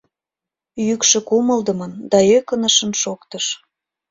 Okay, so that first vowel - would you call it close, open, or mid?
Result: close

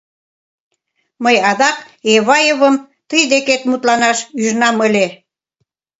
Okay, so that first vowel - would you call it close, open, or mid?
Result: mid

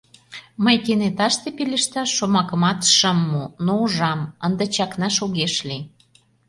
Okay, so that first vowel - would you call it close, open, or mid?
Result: mid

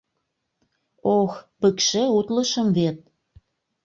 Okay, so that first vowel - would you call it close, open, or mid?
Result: mid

